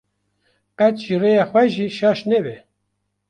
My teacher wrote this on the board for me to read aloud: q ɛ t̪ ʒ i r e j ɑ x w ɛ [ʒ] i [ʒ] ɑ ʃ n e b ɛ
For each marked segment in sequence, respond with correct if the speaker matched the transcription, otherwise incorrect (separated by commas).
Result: correct, incorrect